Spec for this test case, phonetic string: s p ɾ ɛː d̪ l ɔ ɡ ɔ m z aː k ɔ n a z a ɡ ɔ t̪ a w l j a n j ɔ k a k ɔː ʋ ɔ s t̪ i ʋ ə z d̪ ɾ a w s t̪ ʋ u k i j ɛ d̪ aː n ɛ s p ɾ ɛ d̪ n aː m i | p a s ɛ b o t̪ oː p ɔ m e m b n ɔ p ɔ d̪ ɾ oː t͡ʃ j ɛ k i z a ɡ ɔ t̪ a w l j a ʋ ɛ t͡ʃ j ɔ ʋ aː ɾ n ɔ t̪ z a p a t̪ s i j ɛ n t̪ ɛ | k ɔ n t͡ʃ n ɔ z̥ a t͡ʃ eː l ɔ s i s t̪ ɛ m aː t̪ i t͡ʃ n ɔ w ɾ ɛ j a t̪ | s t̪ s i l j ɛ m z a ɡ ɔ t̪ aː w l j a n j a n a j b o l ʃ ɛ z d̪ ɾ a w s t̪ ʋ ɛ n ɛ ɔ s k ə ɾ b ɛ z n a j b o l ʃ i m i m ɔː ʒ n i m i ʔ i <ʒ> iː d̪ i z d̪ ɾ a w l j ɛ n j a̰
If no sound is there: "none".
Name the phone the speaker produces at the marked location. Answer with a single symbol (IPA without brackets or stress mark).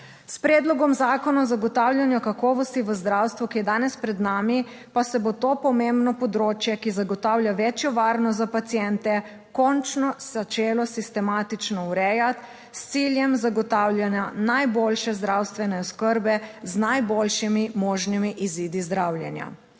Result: z